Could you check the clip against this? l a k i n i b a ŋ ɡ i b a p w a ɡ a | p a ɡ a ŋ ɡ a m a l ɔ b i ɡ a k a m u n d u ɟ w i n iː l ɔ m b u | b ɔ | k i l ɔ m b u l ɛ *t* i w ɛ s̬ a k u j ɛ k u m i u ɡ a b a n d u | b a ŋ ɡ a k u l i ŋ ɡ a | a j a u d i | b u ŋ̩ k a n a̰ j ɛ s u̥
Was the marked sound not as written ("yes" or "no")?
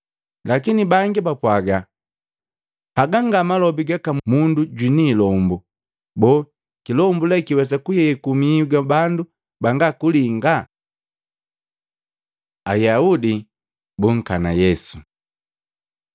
yes